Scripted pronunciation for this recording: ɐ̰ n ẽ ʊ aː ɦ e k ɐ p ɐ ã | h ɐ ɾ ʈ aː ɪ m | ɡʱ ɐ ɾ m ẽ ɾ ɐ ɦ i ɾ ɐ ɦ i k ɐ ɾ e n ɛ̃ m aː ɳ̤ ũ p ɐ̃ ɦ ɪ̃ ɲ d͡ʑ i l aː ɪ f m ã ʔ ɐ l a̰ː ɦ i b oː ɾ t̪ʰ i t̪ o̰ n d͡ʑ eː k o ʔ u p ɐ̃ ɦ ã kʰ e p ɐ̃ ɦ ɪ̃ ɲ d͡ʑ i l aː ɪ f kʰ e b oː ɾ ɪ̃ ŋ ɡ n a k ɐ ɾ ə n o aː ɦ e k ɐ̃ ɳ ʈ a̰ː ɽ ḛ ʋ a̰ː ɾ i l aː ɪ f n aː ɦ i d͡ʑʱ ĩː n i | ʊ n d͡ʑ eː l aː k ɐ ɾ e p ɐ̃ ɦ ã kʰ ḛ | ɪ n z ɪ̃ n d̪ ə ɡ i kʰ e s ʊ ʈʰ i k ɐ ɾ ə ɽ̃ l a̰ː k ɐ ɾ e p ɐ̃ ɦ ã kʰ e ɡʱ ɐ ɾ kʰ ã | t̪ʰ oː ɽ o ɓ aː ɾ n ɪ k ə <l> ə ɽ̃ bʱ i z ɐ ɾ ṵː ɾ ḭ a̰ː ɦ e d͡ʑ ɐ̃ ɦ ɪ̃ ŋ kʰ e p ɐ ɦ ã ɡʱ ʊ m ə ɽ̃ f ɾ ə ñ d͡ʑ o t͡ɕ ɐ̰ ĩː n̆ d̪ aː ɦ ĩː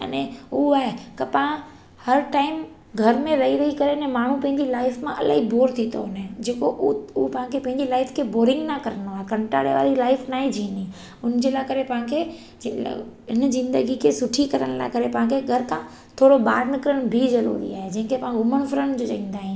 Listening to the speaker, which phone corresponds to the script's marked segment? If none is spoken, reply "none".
ɾ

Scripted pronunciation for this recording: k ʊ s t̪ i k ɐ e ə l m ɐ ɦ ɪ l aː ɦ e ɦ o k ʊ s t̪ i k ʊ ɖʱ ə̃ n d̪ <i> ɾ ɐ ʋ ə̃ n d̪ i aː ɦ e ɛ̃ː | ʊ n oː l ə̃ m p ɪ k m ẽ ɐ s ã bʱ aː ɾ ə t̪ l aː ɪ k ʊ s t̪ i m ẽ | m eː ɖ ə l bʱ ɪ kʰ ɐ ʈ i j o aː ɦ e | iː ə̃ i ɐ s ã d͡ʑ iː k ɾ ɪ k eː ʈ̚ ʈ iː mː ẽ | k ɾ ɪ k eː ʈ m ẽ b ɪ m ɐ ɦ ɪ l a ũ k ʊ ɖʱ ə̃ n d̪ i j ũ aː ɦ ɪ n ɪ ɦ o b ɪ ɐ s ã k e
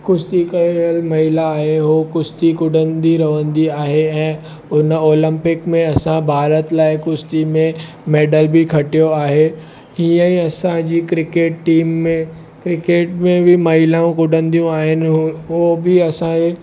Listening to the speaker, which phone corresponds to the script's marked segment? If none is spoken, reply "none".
i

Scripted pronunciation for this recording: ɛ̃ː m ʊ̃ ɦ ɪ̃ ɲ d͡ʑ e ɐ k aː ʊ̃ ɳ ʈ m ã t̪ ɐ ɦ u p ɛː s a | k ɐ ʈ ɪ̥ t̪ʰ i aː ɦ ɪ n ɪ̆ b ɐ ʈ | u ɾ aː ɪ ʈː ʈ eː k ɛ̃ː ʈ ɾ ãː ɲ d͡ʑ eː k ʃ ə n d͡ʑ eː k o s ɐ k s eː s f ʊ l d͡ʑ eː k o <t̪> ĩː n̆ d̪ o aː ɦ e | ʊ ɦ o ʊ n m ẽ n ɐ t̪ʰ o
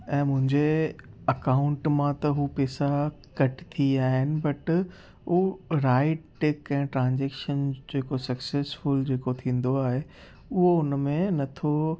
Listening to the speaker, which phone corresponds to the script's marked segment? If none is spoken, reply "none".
t̪ʰ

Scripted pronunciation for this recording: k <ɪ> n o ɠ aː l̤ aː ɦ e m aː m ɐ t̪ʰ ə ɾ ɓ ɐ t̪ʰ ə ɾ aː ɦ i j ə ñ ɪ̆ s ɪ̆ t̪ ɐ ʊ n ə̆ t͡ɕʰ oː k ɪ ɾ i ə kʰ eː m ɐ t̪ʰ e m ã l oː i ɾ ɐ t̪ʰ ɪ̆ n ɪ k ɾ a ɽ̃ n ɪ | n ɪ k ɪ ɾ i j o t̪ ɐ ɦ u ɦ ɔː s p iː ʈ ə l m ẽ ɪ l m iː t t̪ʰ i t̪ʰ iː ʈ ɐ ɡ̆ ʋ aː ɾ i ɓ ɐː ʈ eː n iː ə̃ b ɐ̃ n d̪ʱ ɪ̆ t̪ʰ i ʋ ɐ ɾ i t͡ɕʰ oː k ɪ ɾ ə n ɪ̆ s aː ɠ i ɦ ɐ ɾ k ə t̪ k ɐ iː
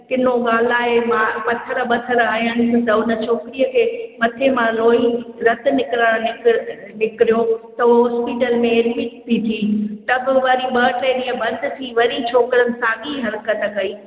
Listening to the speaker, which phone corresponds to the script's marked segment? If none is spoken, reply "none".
ɪ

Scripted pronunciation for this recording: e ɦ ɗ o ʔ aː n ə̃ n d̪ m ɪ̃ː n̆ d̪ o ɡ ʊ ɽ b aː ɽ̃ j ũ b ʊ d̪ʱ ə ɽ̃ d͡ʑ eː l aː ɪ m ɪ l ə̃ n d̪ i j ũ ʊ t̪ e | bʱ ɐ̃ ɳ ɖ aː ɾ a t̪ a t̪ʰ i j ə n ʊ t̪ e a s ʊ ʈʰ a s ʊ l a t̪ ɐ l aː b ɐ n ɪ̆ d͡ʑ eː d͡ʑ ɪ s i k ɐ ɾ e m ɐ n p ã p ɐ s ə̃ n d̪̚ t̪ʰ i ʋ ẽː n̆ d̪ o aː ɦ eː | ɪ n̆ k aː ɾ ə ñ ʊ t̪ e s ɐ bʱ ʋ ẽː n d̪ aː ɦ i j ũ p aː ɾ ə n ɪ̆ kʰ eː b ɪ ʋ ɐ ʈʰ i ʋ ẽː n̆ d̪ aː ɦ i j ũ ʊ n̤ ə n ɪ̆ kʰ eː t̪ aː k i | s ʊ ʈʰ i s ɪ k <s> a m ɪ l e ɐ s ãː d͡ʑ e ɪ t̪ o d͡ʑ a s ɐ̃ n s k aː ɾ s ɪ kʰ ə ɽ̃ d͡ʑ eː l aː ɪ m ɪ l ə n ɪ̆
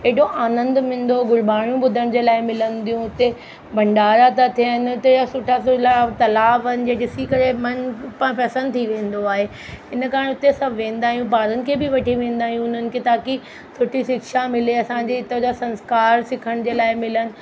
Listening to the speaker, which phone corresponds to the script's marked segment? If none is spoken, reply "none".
ʃ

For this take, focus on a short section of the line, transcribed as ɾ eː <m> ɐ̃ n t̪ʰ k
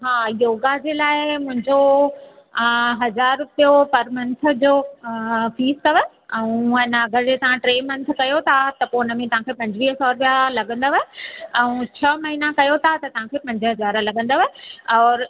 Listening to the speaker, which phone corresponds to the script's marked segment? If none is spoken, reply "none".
m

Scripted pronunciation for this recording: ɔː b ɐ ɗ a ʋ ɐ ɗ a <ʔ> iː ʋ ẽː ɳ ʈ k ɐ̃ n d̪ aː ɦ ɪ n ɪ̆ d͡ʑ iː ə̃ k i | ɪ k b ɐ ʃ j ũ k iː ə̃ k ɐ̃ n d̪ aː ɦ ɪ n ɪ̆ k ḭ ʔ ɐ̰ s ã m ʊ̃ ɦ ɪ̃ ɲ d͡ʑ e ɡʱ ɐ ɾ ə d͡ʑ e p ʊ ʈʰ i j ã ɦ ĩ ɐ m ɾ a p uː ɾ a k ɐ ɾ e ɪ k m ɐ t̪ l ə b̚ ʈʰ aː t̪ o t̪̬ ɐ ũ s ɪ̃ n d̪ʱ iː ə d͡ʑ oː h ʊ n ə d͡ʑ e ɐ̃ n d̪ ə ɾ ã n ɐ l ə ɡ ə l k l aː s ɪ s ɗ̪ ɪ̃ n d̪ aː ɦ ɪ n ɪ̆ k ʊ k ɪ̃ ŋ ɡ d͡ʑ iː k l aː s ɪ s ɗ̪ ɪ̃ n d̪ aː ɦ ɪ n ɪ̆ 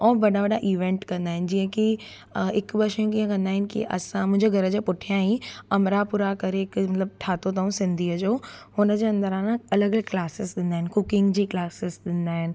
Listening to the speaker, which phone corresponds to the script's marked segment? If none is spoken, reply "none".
ʔ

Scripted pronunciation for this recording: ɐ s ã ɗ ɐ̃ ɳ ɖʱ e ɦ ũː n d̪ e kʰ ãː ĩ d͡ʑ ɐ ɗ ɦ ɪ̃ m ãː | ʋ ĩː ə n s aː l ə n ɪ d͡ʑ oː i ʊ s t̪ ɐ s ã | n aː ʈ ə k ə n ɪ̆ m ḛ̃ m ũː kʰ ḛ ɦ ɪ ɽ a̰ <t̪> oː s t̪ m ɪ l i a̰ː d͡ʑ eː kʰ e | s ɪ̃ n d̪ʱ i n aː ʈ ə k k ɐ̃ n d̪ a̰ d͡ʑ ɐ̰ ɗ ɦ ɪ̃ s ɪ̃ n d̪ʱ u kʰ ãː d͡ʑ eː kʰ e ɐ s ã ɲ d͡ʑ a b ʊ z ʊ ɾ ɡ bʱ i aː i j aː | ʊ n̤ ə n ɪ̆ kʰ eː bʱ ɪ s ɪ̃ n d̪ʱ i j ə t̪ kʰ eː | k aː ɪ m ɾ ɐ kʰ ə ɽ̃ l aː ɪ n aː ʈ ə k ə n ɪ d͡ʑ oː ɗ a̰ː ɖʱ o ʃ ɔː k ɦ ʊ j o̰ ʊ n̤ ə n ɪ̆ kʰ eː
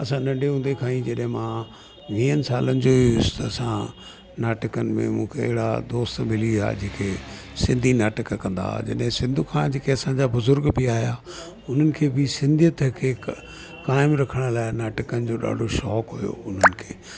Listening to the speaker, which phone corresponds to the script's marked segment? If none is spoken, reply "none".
d̪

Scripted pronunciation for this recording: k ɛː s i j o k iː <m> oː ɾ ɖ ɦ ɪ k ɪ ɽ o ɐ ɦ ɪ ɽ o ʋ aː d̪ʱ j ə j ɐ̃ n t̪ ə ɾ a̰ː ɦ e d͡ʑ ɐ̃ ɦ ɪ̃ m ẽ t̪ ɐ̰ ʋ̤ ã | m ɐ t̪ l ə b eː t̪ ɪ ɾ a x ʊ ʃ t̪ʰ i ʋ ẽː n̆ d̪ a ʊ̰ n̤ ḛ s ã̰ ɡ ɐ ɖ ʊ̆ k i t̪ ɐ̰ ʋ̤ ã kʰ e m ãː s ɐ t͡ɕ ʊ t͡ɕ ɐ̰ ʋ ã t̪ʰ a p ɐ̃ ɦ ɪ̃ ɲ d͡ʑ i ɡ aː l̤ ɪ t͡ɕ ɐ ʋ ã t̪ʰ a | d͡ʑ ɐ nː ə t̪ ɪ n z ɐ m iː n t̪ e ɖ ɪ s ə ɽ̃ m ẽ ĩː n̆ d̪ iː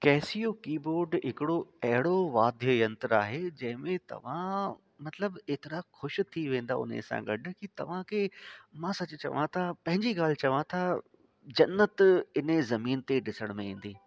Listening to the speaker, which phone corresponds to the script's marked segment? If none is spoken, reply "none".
b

